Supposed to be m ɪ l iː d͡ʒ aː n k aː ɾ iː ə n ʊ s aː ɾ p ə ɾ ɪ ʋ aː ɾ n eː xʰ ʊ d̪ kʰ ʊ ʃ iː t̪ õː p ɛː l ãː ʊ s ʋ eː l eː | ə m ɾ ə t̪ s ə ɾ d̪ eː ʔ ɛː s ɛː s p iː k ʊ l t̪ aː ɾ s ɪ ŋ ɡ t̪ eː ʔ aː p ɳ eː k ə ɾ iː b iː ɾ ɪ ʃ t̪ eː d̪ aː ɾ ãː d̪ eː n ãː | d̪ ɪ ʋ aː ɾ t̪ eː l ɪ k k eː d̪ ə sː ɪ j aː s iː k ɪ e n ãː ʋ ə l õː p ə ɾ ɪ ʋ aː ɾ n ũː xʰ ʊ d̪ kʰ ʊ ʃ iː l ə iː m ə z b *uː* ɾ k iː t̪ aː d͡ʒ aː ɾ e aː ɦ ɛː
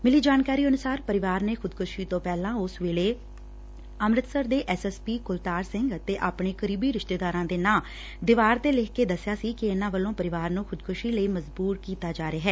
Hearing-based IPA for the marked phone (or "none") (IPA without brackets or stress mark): uː